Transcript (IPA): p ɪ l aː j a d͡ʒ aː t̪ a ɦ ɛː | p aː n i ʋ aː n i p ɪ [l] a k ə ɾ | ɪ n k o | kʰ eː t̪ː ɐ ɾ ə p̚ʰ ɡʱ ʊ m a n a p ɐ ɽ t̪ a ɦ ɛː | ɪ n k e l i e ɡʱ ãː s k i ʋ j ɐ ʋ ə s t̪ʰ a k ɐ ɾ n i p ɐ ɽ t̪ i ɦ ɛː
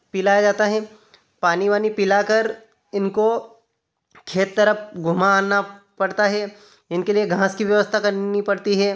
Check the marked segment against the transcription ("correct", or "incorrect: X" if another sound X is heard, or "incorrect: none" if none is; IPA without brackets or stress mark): correct